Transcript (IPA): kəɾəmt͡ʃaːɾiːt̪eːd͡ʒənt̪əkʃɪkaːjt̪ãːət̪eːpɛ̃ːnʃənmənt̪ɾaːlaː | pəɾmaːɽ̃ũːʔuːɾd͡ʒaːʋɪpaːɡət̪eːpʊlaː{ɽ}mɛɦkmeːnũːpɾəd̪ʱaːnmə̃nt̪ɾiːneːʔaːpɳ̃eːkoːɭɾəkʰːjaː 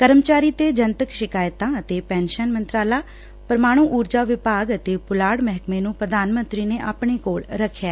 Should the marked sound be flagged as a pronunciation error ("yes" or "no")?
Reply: no